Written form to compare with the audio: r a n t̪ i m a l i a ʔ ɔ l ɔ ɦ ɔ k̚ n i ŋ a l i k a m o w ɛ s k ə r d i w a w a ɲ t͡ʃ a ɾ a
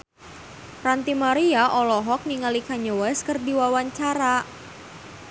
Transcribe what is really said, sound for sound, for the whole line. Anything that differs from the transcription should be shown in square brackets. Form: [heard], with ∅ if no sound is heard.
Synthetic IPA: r a n t̪ i m a [ɾ] i a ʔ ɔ l ɔ ɦ ɔ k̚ n i ŋ a l i k a [ɲ] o w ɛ s k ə r d i w a w a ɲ t͡ʃ a ɾ a